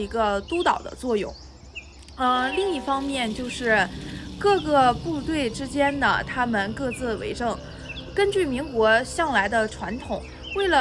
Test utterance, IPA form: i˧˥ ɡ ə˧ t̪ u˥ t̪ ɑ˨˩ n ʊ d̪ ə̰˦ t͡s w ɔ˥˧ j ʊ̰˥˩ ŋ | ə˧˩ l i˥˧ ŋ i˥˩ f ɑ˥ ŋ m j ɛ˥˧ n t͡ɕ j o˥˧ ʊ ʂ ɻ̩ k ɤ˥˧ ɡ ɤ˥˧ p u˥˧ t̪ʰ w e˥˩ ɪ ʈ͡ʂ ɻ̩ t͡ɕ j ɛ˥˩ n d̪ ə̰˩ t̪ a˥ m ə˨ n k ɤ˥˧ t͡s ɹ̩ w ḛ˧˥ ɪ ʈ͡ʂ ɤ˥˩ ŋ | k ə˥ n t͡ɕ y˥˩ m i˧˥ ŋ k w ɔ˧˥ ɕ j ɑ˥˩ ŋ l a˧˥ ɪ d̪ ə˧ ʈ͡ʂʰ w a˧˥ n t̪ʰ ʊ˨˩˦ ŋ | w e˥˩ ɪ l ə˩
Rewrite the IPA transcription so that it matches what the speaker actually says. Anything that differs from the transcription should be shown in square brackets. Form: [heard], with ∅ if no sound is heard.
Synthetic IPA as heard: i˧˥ ɡ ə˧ t̪ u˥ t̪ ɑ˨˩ [∅] ʊ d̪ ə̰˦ t͡s w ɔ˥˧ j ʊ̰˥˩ ŋ | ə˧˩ l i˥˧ ŋ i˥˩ f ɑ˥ ŋ m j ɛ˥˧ n t͡ɕ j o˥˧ ʊ ʂ ɻ̩ k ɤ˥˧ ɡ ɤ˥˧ p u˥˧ [t̪] w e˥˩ ɪ ʈ͡ʂ ɻ̩ t͡ɕ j [ɛ˥] n d̪ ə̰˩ [t̪ʰ] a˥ m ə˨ n k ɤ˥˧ t͡s ɹ̩ w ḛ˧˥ ɪ ʈ͡ʂ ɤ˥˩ ŋ | k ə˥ n t͡ɕ y˥˩ m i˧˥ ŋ k w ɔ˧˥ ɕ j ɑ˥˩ ŋ l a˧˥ ɪ d̪ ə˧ ʈ͡ʂʰ w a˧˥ n t̪ʰ ʊ˨˩˦ ŋ | w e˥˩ ɪ l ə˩

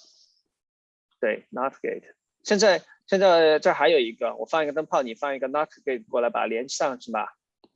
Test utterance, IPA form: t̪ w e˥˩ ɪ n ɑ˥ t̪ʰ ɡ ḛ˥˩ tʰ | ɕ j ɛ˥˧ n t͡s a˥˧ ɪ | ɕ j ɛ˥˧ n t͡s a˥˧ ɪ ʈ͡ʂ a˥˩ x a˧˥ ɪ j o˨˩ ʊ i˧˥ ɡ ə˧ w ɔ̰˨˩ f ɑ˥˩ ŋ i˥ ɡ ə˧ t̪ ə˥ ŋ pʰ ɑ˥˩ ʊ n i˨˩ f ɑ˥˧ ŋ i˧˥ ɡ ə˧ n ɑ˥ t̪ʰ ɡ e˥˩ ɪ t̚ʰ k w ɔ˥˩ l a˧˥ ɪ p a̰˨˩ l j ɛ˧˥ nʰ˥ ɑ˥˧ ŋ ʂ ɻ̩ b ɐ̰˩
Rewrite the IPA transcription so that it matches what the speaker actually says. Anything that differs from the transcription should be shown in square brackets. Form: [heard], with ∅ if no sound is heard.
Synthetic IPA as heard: t̪ w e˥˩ ɪ n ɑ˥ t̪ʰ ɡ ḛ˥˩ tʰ | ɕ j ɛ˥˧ n t͡s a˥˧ ɪ | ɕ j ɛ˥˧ n t͡s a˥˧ ɪ ʈ͡ʂ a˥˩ x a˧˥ ɪ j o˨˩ ʊ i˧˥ ɡ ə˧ w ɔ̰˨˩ f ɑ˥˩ ŋ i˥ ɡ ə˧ t̪ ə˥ ŋ pʰ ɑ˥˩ ʊ n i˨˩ f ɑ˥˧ ŋ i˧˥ ɡ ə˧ n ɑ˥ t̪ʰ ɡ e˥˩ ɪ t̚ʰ k w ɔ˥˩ l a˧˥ ɪ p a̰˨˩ l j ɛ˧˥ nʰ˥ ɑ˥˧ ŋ ʂ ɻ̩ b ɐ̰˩

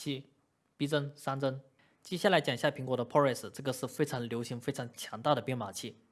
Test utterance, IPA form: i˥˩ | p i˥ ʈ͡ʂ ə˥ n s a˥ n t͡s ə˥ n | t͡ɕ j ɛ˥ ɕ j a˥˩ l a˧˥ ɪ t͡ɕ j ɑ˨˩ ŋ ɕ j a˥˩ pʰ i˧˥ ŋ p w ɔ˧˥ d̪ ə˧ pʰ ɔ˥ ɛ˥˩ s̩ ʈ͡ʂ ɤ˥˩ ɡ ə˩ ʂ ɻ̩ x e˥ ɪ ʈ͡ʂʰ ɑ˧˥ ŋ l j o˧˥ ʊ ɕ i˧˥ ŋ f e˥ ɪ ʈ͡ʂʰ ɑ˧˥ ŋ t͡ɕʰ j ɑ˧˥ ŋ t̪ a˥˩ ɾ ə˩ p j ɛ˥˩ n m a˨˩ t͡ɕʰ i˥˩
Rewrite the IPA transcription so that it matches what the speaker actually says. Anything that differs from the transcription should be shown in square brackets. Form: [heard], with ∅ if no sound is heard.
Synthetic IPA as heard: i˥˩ | p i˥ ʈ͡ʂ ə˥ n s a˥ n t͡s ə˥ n | t͡ɕ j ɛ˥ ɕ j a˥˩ l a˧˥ ɪ t͡ɕ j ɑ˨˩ ŋ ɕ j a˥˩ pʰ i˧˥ ŋ [k] w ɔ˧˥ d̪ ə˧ pʰ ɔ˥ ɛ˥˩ s̩ ʈ͡ʂ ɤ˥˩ ɡ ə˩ ʂ ɻ̩ [f] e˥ ɪ ʈ͡ʂʰ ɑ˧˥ ŋ l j o˧˥ ʊ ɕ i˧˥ ŋ f e˥ ɪ ʈ͡ʂʰ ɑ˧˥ ŋ t͡ɕʰ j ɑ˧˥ ŋ t̪ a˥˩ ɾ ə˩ p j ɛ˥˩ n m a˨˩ t͡ɕʰ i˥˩

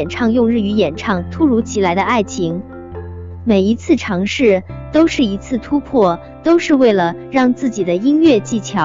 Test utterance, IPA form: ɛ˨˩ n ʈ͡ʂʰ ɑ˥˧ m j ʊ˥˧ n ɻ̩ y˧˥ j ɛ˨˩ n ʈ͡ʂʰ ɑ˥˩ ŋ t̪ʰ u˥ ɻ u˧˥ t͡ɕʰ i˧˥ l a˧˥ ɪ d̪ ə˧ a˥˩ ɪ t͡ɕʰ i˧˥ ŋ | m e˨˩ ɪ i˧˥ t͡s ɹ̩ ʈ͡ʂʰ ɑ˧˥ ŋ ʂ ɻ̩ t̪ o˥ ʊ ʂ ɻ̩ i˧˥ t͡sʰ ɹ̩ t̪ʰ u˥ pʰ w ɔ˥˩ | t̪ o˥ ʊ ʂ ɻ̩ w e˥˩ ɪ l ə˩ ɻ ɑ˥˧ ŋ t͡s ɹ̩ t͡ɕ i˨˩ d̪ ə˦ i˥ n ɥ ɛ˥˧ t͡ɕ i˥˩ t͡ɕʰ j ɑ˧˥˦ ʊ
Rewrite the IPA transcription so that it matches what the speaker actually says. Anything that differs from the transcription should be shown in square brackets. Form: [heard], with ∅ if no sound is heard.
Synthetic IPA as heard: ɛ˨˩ n ʈ͡ʂʰ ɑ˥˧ [ŋ] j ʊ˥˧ [ŋ] ɻ̩ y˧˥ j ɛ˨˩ n ʈ͡ʂʰ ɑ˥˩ ŋ t̪ʰ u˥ ɻ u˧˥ t͡ɕʰ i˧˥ l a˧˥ ɪ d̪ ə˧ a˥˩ ɪ t͡ɕʰ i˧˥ ŋ | m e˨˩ ɪ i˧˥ [t͡sʰ] ɹ̩ ʈ͡ʂʰ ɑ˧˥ ŋ ʂ ɻ̩ t̪ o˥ ʊ ʂ ɻ̩ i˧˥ t͡sʰ ɹ̩ t̪ʰ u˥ pʰ w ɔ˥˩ | t̪ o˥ ʊ ʂ ɻ̩ w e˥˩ ɪ l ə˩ ɻ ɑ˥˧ ŋ t͡s ɹ̩ t͡ɕ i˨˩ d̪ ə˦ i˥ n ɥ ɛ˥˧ t͡ɕ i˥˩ t͡ɕʰ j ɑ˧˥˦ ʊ

